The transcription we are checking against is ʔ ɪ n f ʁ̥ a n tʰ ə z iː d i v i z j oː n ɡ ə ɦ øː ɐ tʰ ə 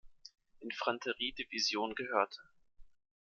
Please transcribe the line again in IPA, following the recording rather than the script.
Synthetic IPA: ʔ ɪ n f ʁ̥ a n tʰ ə ʁ iː d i v i z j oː n ɡ ə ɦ øː ɐ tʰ ə